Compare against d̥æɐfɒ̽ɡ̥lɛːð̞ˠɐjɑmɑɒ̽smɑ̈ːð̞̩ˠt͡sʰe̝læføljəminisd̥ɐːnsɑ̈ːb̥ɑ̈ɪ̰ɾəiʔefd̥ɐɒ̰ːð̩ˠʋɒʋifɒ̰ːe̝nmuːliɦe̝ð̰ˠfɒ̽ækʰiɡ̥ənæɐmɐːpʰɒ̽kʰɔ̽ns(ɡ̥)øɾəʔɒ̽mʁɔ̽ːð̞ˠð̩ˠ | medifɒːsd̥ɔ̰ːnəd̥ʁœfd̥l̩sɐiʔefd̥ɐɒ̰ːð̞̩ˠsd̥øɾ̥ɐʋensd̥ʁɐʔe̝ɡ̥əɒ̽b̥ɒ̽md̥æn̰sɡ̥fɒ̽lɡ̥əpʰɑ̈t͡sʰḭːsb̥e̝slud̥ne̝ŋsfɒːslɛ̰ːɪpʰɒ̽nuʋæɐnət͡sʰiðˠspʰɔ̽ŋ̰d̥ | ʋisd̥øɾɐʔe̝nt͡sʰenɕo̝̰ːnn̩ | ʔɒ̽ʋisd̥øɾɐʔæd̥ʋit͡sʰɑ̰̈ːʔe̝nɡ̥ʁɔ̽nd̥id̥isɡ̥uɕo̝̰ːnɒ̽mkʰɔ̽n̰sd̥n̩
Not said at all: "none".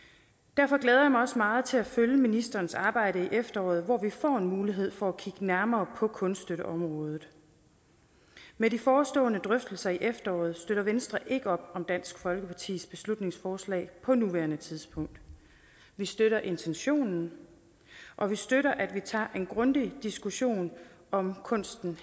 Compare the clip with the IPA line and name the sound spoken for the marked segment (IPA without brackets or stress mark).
d̥